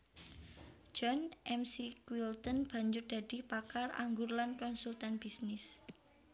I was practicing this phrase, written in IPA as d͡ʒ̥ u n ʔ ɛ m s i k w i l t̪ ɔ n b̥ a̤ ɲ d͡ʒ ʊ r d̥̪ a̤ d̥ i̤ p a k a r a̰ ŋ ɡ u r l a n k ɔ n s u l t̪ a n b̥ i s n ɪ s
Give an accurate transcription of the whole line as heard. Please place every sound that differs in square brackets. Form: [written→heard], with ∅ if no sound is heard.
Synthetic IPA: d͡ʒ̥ [u→ɔ] n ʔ ɛ m s i k w i l t̪ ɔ n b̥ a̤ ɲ d͡ʒ ʊ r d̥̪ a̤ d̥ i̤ p a k a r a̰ ŋ ɡ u r l a n k ɔ n s u l t̪ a n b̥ i s n ɪ s

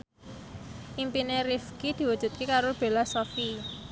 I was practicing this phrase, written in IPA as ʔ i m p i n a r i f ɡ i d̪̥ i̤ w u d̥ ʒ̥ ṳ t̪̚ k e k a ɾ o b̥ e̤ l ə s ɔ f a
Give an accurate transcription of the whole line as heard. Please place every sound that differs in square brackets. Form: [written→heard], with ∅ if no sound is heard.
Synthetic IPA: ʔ i m p i n [a→e] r i f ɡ i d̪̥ i̤ w u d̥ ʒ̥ ṳ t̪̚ k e k a ɾ o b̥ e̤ l [ə→a] s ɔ f [a→i]

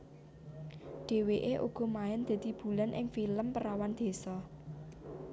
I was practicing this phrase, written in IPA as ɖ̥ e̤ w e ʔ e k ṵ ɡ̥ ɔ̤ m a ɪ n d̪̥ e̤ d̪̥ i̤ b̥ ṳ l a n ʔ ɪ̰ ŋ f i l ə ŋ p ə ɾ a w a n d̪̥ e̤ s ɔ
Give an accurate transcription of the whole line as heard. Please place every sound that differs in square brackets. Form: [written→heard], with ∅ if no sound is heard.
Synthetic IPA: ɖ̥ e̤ w e ʔ e [k→ʔ] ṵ ɡ̥ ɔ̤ m a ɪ n d̪̥ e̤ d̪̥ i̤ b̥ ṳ l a n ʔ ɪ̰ ŋ f i l ə [ŋ→m] p ə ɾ a w a n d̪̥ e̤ s ɔ

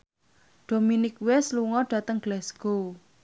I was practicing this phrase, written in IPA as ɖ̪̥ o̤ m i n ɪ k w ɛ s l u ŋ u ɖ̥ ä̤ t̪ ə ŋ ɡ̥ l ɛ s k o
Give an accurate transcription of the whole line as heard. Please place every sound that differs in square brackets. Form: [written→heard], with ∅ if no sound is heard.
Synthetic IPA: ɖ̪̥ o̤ m i n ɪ k w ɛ s l u ŋ [u→ɔ] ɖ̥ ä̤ t̪ ə ŋ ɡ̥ l ɛ s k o

